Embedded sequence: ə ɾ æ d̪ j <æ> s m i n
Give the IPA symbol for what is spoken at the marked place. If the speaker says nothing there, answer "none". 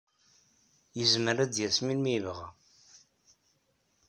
æ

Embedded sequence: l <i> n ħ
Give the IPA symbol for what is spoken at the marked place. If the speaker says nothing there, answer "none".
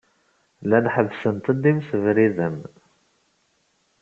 æ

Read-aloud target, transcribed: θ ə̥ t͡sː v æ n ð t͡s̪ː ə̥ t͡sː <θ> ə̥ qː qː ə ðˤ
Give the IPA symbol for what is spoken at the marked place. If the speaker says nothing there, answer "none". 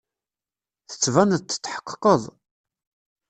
ħ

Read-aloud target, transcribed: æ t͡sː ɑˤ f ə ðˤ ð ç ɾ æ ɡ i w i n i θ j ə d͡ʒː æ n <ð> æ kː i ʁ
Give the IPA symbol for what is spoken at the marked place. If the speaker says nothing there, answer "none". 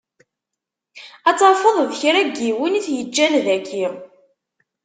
ð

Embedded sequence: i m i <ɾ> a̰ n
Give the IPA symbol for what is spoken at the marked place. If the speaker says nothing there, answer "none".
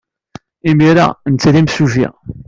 ɾ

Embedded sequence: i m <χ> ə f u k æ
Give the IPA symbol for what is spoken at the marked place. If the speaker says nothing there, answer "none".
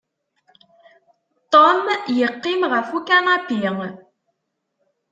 ʁ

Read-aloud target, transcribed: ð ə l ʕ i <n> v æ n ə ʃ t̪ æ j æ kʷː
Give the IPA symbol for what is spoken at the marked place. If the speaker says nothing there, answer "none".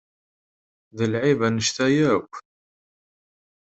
none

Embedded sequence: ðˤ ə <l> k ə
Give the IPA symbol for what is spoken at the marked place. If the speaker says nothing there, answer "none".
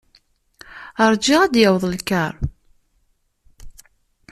l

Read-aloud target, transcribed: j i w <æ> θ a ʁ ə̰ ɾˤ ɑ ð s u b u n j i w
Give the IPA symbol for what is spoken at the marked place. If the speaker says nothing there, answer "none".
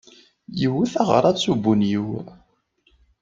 i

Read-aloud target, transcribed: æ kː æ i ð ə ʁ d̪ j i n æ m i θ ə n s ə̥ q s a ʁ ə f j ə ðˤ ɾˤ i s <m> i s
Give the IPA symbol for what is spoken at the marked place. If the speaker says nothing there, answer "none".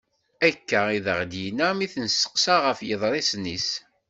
n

